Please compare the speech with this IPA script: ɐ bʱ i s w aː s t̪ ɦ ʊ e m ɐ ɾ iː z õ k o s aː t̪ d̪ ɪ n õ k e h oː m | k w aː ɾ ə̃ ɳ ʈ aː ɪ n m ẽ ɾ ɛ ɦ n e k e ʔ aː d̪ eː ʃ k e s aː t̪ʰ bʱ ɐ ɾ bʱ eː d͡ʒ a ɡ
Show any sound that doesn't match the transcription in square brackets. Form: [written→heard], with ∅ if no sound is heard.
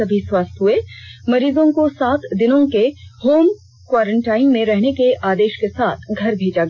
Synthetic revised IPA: ɐ bʱ i s w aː s t̪ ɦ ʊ e m ɐ ɾ iː z õ k o s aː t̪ d̪ ɪ n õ k e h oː m | k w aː ɾ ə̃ ɳ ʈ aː ɪ n m ẽ ɾ ɛ ɦ n e k e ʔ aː d̪ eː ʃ k e s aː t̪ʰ [bʱ→ɡʱ] ɐ ɾ bʱ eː d͡ʒ a ɡ

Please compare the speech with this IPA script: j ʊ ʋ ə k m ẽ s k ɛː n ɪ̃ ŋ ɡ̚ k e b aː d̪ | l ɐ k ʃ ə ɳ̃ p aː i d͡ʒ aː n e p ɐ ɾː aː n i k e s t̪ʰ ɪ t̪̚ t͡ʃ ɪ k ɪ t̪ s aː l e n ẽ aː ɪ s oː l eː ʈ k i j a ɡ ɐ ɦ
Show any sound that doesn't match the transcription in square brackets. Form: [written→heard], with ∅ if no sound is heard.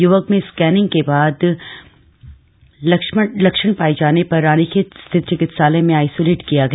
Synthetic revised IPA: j ʊ ʋ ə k m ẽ s k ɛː n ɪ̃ ŋ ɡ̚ k e b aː d̪ | l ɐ k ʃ ə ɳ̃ p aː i d͡ʒ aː n e p ɐ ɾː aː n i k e s t̪ʰ ɪ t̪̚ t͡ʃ ɪ k ɪ t̪ s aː l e [n→m] ẽ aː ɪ s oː l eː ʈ k i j a ɡ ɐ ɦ

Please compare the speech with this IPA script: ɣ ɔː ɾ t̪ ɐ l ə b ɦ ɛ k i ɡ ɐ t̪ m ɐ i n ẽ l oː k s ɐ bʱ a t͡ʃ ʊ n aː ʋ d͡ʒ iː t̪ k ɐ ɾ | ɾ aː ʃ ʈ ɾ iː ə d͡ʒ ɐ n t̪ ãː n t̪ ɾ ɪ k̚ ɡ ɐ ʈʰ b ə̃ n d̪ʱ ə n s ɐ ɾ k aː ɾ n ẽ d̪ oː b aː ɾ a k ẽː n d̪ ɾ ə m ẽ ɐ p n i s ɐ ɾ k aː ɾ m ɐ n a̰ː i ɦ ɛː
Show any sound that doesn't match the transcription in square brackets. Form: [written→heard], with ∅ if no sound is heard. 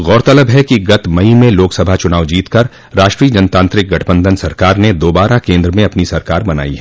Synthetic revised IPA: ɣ ɔː ɾ t̪ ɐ l ə b ɦ ɛ k i ɡ ɐ t̪ m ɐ i [n→m] ẽ l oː k s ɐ bʱ a t͡ʃ ʊ n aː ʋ d͡ʒ iː t̪ k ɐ ɾ | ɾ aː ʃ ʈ ɾ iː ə d͡ʒ ɐ n t̪ ãː n t̪ ɾ ɪ k̚ ɡ ɐ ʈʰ b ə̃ n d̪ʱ ə n s ɐ ɾ k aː ɾ n [ẽ→e] d̪ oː b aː ɾ a k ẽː n d̪ ɾ ə m ẽ ɐ p n i s ɐ ɾ k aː ɾ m ɐ n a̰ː i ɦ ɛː

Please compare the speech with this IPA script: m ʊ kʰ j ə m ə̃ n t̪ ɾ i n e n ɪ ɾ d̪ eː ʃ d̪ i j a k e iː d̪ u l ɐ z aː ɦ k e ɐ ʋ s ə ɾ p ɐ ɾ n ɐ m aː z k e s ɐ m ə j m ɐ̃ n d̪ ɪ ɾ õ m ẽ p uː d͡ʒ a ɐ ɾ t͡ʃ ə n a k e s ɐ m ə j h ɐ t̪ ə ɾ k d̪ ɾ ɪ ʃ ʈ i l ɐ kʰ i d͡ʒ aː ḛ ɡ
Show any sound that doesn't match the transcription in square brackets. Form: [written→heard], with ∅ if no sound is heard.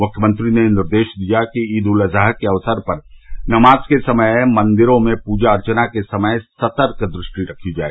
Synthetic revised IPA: m ʊ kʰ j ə m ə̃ n t̪ ɾ i n e n ɪ ɾ d̪ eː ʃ d̪ i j a k [e→i] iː d̪ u l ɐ z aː ɦ k e ɐ ʋ s ə ɾ p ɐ ɾ n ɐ m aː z k e s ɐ m ə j m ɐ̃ n d̪ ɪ ɾ õ m ẽ p uː d͡ʒ a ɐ ɾ t͡ʃ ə n a k e s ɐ m ə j [h→s] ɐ t̪ ə ɾ k d̪ ɾ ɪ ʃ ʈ i [l→ɾ] ɐ kʰ i d͡ʒ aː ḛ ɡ

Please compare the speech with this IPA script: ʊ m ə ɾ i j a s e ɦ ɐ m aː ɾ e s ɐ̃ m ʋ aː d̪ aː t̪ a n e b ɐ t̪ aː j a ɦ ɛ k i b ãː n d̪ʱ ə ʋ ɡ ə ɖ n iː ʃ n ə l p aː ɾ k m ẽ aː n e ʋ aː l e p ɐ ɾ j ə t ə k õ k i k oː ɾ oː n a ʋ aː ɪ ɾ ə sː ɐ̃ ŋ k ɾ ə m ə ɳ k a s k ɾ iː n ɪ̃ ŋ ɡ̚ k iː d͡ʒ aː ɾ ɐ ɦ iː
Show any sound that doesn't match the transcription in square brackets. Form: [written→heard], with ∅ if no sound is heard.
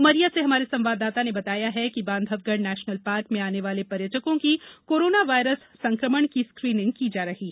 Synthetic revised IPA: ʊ m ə ɾ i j a s e ɦ ɐ m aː ɾ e s ɐ̃ m ʋ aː d̪ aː t̪ a n e b ɐ t̪ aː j a ɦ ɛ k i b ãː n d̪ʱ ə ʋ ɡ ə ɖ n [iː→ɛː] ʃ n ə l p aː ɾ k m ẽ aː n e ʋ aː l e p ɐ ɾ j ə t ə k õ k i k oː ɾ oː n a ʋ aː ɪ ɾ ə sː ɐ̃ ŋ k ɾ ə m ə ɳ k [a→i] s k ɾ iː n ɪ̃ ŋ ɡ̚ k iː d͡ʒ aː ɾ ɐ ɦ iː

